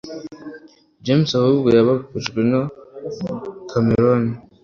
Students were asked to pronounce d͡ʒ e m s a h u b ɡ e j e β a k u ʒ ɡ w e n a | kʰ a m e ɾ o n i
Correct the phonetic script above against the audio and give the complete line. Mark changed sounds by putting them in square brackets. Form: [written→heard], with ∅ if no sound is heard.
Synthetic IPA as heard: d͡ʒ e m s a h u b ɡ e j [e→a] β a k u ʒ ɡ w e n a | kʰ a m e ɾ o n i